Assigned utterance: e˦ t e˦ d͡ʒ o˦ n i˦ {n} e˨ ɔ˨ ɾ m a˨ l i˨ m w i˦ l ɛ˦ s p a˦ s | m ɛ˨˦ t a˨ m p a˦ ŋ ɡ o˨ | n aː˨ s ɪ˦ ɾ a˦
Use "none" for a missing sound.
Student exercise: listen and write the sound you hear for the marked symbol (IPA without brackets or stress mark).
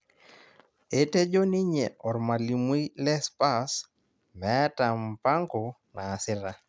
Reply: ɲ